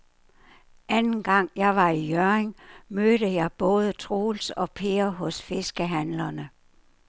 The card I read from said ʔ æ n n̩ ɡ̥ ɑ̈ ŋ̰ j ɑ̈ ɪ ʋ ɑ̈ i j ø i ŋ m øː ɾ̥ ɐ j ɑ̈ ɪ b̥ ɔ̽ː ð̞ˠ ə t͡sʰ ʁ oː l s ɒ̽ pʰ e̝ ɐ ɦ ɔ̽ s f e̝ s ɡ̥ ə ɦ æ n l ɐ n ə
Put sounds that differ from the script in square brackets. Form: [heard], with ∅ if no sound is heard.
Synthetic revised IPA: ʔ æ n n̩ ɡ̥ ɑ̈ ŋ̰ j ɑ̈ ɪ ʋ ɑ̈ i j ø [e] ŋ m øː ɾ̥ [ə] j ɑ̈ ɪ b̥ ɔ̽ː ð̞ˠ ə t͡sʰ ʁ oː l s ɒ̽ pʰ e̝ ɐ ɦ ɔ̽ s f e̝ s ɡ̥ ə ɦ æ n l ɐ n ə

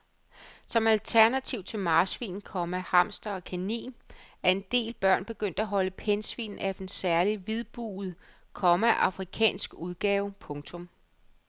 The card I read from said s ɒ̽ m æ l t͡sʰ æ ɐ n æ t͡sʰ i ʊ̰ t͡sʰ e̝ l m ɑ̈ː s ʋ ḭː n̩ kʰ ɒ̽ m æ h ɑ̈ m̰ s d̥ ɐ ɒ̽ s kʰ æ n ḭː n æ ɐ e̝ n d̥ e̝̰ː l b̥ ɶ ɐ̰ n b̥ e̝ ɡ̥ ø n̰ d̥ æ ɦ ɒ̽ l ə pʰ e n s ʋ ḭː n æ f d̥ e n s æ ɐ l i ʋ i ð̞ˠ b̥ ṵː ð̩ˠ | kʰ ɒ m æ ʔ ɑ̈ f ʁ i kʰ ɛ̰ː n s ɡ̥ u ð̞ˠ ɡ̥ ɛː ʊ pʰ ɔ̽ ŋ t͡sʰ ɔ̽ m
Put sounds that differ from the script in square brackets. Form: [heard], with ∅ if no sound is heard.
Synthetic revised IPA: s ɒ̽ m æ l t͡sʰ æ ɐ n æ t͡sʰ i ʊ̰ t͡sʰ e̝ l m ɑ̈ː s ʋ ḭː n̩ kʰ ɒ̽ m æ h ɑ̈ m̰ s d̥ ɐ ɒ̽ [∅] kʰ æ n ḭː n æ ɐ e̝ n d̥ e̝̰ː l b̥ ɶ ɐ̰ n b̥ e̝ ɡ̥ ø n̰ d̥ æ ɦ ɒ̽ l ə pʰ e n s ʋ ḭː n æ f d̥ e n s æ ɐ l i ʋ i ð̞ˠ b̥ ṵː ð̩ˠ | kʰ ɒ m æ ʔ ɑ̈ f ʁ i kʰ ɛ̰ː n s ɡ̥ u ð̞ˠ ɡ̥ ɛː ʊ pʰ ɔ̽ ŋ t͡sʰ ɔ̽ m

